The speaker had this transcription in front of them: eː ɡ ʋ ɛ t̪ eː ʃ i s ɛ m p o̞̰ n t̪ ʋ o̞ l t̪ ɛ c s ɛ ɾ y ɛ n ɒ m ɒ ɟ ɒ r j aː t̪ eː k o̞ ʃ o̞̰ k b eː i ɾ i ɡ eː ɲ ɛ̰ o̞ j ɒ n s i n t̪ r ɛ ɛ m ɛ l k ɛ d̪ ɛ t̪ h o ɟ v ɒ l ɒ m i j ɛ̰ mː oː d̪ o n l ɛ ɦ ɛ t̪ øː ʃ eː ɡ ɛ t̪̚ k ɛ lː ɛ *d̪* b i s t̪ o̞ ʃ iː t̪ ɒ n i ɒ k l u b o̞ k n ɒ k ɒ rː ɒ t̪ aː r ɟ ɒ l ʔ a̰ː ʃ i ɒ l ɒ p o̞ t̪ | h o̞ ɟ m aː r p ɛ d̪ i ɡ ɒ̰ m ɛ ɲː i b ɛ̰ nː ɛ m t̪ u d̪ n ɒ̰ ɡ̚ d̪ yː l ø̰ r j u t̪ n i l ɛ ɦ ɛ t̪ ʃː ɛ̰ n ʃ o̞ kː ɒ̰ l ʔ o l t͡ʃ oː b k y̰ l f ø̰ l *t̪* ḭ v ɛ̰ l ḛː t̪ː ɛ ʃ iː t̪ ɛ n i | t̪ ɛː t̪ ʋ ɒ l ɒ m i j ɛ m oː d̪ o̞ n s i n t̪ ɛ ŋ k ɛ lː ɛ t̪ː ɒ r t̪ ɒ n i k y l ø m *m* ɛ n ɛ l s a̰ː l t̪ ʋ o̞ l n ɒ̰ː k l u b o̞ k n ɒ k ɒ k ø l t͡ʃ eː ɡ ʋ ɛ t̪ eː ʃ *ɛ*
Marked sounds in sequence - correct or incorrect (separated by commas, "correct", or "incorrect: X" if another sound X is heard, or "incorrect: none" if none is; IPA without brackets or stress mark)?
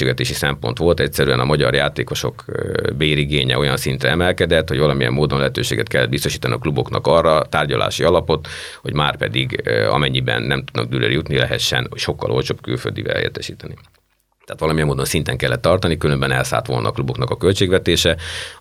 correct, incorrect: d̪, incorrect: b, correct